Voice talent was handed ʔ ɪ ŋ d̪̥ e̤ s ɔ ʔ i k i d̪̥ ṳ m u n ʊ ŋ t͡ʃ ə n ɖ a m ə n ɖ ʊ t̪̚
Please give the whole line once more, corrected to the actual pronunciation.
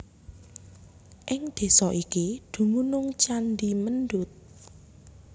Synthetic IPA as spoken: ʔ ɪ ŋ d̪̥ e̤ s ɔ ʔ i k i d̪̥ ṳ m u n ʊ ŋ t͡ʃ a n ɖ i m ə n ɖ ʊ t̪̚